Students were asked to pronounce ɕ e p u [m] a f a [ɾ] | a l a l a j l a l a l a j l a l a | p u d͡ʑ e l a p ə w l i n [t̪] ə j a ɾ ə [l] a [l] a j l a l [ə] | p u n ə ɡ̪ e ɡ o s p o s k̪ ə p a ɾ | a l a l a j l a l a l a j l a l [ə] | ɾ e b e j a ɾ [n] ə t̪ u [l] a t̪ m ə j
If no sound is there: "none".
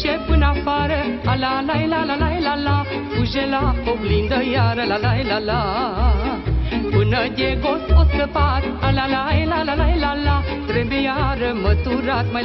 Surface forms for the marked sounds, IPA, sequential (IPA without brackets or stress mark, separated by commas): n, ɾ, d̪, l, l, a, a, m, ɾ